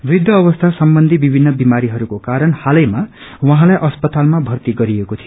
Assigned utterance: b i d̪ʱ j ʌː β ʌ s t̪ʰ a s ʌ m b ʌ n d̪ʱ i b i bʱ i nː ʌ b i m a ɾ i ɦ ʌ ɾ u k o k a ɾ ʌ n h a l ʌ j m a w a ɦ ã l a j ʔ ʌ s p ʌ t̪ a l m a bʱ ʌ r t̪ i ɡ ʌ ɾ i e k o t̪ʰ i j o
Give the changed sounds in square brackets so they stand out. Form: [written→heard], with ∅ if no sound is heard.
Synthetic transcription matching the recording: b i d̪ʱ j ʌː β ʌ s t̪ʰ a s ʌ m b ʌ n d̪ʱ i b i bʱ i nː ʌ b i m a ɾ i ɦ ʌ ɾ u k o k a ɾ ʌ n h a l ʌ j m a w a ɦ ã l a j ʔ ʌ s p ʌ t̪ a l m a bʱ ʌ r t̪ i ɡ ʌ ɾ i e k o t̪ʰ i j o